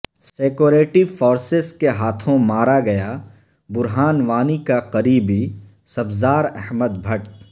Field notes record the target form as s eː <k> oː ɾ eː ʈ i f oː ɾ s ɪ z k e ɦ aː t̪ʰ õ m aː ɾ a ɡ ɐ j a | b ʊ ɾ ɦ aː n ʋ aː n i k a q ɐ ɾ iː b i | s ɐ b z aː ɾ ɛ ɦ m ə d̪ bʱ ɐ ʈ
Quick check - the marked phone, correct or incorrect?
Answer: correct